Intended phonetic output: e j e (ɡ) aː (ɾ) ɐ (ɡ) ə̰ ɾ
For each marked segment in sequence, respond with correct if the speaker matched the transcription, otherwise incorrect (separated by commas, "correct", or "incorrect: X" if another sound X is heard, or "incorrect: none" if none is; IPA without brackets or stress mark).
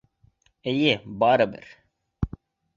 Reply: incorrect: b, correct, incorrect: b